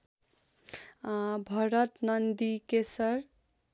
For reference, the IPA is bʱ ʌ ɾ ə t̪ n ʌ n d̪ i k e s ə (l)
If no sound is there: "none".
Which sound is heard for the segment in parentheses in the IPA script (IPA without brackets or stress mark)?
ɾ